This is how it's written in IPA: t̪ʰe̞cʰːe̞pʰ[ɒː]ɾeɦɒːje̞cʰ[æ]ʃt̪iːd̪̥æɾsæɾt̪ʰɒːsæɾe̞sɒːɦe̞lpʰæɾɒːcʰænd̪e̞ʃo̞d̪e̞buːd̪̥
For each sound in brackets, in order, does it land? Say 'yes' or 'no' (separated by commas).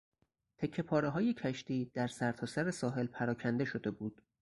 yes, yes